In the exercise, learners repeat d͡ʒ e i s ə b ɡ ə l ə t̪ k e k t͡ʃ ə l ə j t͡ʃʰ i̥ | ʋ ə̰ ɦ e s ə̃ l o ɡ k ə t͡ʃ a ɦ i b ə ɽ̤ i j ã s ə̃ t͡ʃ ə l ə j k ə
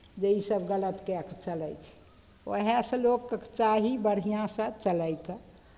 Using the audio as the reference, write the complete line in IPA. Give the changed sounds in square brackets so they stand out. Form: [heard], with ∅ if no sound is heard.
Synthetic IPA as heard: d͡ʒ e i s ə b ɡ ə l ə t̪ k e k t͡ʃ ə l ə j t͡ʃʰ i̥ | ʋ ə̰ ɦ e s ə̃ l o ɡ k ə t͡ʃ a ɦ i b ə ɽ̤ i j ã s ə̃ t͡ʃ ə l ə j k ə